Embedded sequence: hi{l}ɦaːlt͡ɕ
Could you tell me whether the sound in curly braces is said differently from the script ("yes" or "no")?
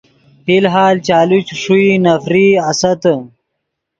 no